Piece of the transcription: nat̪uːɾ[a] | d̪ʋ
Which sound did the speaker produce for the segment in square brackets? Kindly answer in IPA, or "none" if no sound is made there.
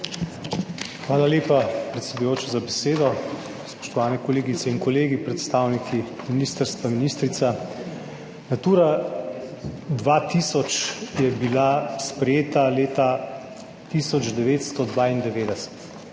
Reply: a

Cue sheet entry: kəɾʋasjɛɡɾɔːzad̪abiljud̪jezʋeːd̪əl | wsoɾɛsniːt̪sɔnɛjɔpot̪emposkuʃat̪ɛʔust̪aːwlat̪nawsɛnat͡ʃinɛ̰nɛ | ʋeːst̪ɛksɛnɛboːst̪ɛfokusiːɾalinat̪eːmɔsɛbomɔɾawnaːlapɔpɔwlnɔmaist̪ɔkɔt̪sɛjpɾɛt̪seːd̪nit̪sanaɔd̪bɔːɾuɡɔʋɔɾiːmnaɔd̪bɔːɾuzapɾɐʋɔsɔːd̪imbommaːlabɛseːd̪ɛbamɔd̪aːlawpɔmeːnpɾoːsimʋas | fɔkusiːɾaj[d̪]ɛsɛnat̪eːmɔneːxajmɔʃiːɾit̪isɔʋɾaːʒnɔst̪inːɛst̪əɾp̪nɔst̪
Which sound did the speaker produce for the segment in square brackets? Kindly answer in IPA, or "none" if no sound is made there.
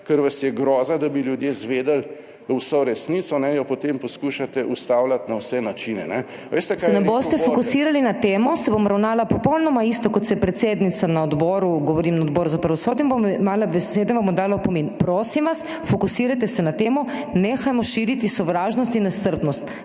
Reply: t̪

